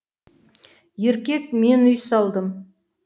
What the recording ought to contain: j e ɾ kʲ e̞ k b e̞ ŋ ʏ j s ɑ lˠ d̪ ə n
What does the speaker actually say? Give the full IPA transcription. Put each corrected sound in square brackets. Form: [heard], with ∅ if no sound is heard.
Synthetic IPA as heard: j e ɾ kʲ e̞ k [m] e̞ [n] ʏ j s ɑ lˠ d̪ ə [m]

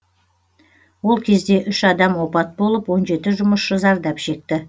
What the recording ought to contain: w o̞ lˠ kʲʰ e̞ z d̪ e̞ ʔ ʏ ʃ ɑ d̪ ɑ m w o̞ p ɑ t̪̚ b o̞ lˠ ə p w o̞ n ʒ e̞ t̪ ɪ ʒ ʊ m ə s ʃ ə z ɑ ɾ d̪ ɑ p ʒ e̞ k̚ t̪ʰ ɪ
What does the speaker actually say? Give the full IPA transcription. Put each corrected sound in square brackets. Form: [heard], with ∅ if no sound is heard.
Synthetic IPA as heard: w o̞ lˠ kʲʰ e̞ z d̪ e̞ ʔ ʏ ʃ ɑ d̪ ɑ m w o̞ p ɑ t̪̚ b o̞ lˠ ə p w o̞ n ʒ e̞ t̪ ɪ ʒ ʊ m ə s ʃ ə z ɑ ɾ d̪ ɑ p [ʃ] e̞ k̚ [t̪] ɪ

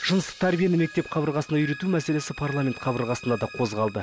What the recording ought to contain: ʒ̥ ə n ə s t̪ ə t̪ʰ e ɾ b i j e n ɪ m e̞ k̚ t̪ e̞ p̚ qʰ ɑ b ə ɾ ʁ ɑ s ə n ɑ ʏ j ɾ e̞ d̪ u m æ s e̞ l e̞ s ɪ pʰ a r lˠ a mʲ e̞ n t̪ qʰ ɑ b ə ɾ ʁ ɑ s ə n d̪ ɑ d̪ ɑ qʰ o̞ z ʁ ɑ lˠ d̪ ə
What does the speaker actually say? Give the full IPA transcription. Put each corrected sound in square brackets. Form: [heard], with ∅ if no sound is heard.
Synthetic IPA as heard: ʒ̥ ə n ə s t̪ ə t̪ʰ [æ] ɾ b i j e n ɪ m e̞ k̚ t̪ e̞ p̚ qʰ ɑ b ə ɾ ʁ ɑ s ə n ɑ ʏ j ɾ e̞ [t̪] u m æ s e̞ l e̞ s ɪ pʰ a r lˠ a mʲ e̞ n t̪ qʰ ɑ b ə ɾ ʁ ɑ s ə n d̪ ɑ d̪ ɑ qʰ o̞ z ʁ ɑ lˠ d̪ ə

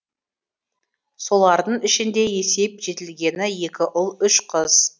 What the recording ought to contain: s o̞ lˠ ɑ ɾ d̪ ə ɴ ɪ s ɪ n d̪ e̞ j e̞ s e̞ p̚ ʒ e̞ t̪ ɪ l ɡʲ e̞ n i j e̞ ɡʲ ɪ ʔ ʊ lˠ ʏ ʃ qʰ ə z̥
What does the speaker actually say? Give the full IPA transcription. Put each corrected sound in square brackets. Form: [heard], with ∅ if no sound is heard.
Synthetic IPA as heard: s o̞ lˠ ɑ ɾ d̪ ə ɴ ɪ [ʃ] ɪ n d̪ e̞ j e̞ s e̞ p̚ ʒ e̞ t̪ ɪ l ɡʲ e̞ n [ɪ] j e̞ [kʲ] ɪ ʔ ʊ lˠ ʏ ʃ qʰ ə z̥

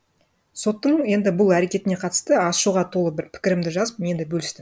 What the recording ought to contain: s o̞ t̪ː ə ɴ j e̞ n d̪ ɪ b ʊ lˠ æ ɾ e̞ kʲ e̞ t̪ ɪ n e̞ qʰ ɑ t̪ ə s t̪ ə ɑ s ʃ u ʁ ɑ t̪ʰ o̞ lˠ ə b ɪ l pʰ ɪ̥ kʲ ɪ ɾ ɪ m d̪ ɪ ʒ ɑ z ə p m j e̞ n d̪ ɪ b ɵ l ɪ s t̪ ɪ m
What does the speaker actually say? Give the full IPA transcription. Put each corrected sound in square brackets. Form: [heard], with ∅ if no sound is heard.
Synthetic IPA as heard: s o̞ t̪ː ə ɴ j e̞ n d̪ ɪ b ʊ lˠ æ ɾ e̞ kʲ e̞ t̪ ɪ n e̞ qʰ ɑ t̪ ə s t̪ ə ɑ s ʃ u ʁ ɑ t̪ʰ o̞ lˠ ə b ɪ [ɾ] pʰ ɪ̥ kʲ ɪ ɾ ɪ m d̪ ɪ ʒ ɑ z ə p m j e̞ n d̪ ɪ b ɵ l ɪ s t̪ ɪ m

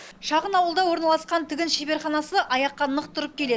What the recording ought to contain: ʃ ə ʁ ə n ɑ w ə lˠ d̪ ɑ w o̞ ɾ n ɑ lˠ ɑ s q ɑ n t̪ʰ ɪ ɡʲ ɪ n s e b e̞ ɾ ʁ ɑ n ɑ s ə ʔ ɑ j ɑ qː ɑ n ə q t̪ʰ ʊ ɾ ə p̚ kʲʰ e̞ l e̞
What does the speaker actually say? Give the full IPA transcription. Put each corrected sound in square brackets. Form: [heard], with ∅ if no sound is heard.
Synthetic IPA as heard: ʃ [ɑ] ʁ ə n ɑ w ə lˠ d̪ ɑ w o̞ ɾ n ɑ lˠ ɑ s q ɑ n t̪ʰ ɪ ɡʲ ɪ n [ʃ] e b e̞ ɾ [χ] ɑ n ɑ s ə ʔ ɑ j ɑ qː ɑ n ə q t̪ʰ ʊ ɾ ə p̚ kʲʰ e̞ l e̞

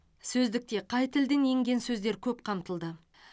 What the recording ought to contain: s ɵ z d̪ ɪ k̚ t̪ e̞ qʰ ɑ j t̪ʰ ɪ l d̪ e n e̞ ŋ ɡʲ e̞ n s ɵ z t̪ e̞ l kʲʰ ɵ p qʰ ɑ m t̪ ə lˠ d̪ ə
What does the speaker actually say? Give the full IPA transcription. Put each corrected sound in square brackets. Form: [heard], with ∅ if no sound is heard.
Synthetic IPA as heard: s ɵ z d̪ ɪ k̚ t̪ e̞ qʰ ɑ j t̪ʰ ɪ l d̪ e n e̞ ŋ ɡʲ e̞ n s ɵ z [d̪] e̞ [ɾ] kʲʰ ɵ p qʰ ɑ m t̪ ə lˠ d̪ ə

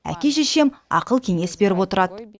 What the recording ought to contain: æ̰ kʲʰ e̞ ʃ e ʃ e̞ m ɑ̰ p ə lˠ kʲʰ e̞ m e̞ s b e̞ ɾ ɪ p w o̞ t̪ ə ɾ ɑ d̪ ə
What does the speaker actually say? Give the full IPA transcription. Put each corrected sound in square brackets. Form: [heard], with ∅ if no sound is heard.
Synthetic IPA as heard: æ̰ [kʲ] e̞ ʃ e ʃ e̞ m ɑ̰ [q] ə lˠ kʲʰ e̞ [ŋ] e̞ s b e̞ ɾ ɪ p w o̞ t̪ ə ɾ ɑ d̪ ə

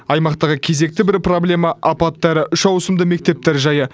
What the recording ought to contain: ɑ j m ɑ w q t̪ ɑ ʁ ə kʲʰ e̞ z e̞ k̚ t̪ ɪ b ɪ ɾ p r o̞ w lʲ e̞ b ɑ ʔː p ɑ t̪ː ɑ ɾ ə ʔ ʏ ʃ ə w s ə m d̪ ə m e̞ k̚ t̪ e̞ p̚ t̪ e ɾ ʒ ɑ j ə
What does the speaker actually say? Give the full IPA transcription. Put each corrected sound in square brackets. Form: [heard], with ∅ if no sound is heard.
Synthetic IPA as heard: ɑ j m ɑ [∅] q t̪ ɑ ʁ ə kʲʰ e̞ z e̞ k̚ t̪ ɪ b ɪ ɾ p r o̞ [b] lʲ e̞ [m] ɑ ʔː p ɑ t̪ː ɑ ɾ ə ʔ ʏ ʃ [ɑ] w s ə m d̪ ə m e̞ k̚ t̪ e̞ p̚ t̪ e ɾ ʒ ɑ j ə

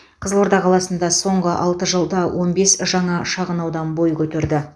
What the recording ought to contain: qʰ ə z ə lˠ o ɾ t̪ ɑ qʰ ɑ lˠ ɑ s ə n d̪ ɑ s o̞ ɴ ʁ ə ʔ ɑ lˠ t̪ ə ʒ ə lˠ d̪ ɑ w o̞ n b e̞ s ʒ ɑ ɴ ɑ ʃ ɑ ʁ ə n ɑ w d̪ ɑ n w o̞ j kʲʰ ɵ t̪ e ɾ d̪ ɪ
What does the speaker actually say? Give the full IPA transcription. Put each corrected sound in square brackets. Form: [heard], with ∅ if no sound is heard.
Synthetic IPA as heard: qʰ ə z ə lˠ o ɾ [d̪] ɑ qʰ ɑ lˠ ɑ s ə n d̪ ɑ s o̞ ɴ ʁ ə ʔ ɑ lˠ t̪ ə ʒ ə lˠ d̪ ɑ w o̞ n b e̞ s ʒ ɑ ɴ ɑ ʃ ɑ ʁ ə n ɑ w d̪ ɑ n [b] o̞ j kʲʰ ɵ t̪ e ɾ d̪ ɪ

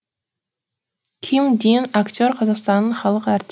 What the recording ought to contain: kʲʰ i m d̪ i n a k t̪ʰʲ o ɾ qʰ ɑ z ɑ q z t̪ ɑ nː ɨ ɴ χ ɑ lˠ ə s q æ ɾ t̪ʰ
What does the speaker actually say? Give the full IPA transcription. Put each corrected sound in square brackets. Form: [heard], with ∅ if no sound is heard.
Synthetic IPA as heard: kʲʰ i m d̪ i n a k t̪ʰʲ o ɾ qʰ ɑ z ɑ q [s] t̪ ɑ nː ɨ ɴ χ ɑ lˠ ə [∅] q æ ɾ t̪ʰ

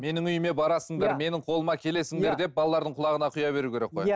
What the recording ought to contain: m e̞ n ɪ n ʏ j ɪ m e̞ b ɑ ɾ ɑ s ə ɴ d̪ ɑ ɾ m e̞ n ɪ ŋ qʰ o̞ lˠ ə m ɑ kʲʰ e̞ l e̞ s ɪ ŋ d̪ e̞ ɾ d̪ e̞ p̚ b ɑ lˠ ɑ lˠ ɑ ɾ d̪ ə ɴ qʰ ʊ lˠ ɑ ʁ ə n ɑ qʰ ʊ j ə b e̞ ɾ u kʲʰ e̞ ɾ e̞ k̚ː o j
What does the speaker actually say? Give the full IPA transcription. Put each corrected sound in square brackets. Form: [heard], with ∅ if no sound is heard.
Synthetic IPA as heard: m e̞ n ɪ [ŋ] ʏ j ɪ m e̞ b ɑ ɾ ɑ s ə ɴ d̪ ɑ ɾ m e̞ n ɪ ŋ qʰ o̞ lˠ ə m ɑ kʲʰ e̞ l e̞ s ɪ ŋ d̪ e̞ ɾ d̪ e̞ p̚ b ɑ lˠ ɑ lˠ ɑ ɾ d̪ ə ɴ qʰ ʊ lˠ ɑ ʁ ə n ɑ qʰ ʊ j [ɑ] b e̞ ɾ u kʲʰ e̞ ɾ e̞ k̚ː o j

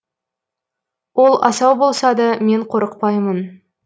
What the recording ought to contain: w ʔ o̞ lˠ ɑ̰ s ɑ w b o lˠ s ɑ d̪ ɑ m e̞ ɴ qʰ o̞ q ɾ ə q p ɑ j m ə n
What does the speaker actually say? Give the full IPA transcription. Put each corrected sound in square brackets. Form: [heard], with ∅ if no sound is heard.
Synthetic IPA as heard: w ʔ o̞ lˠ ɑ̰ s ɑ w b o lˠ s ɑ d̪ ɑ m e̞ ɴ qʰ o̞ [∅] ɾ ə q p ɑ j m ə n

